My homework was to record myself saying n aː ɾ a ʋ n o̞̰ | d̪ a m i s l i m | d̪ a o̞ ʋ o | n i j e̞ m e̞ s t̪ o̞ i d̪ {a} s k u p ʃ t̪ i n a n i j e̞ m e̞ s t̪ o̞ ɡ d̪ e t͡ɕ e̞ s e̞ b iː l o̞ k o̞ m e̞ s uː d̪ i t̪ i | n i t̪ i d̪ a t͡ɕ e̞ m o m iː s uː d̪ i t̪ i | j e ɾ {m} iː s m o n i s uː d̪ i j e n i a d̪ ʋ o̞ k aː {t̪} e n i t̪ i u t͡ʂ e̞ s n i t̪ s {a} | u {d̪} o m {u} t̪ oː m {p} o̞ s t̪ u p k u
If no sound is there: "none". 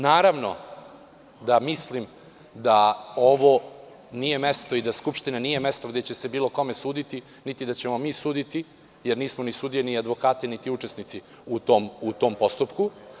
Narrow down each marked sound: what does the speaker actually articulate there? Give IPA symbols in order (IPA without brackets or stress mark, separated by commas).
a, n, t̪, i, t̪, u, p